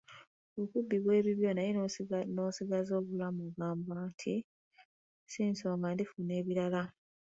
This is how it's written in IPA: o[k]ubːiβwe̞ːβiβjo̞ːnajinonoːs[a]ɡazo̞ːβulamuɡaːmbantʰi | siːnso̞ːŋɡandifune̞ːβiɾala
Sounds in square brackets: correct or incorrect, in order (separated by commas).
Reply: correct, incorrect